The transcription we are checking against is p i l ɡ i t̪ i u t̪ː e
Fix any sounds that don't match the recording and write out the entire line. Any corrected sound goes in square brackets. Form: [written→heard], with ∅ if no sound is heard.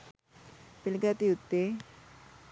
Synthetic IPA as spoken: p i l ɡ [i→a] t̪ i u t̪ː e

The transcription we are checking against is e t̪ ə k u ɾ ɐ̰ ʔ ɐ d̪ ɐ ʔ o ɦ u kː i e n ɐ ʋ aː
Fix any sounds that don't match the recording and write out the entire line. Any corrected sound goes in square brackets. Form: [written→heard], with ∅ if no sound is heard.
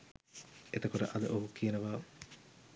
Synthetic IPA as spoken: e t̪ [ə→ɐ] k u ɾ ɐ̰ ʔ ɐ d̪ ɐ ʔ o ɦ u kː i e n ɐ ʋ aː

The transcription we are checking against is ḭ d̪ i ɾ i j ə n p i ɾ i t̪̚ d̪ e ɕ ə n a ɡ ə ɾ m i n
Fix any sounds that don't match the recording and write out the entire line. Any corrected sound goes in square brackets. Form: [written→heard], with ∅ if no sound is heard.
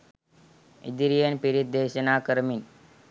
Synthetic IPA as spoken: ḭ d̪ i ɾ i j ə n p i ɾ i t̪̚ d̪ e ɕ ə n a [ɡ→k] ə ɾ m i n

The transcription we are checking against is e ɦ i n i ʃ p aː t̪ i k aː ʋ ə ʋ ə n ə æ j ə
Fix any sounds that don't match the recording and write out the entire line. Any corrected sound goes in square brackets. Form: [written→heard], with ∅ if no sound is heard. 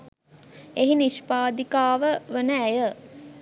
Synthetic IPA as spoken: e ɦ i n i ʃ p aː [t̪→d̪] i k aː ʋ ə ʋ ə n ə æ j ə

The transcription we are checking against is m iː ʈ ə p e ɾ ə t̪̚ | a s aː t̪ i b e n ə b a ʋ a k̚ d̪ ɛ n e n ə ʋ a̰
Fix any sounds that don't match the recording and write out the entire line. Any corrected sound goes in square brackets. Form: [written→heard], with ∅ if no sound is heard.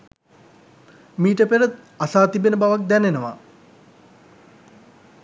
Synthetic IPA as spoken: m iː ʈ ə p e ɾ ə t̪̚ | a s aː t̪ i b e n ə b a ʋ a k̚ d̪ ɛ n e n ə ʋ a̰

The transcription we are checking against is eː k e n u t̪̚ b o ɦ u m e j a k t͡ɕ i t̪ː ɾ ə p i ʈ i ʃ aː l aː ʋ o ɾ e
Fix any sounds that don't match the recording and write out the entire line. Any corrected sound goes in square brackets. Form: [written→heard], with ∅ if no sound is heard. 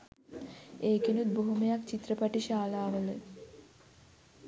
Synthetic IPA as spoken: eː k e n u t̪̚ b o ɦ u m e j a k t͡ɕ i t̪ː ɾ ə p [i→a] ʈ i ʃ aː l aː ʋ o [ɾ→l] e

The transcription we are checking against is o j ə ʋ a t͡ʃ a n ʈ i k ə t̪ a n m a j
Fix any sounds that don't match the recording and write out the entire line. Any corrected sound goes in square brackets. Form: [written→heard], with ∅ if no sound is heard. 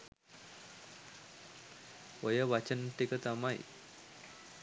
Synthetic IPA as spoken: o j ə ʋ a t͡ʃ [a→ə] n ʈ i k ə t̪ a [n→∅] m a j

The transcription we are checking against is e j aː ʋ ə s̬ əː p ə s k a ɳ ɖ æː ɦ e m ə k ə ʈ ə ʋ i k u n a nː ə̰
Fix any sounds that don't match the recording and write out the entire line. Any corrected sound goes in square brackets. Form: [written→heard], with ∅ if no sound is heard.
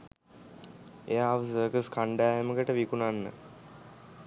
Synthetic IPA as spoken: e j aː ʋ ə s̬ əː [p→k] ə s k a ɳ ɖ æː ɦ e m ə k ə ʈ ə ʋ i k u n a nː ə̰

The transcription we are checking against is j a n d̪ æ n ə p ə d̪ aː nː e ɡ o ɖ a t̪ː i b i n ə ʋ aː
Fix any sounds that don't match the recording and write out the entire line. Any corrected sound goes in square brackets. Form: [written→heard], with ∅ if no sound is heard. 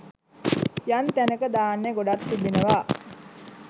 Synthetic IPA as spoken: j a n [d̪→t̪] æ n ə [p→k] ə d̪ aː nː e ɡ o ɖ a t̪ː i b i n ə ʋ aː

